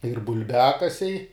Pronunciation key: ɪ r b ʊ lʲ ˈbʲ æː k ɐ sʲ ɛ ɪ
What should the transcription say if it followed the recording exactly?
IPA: ɪ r b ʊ lʲ ˈbʲ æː k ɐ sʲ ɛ ɪ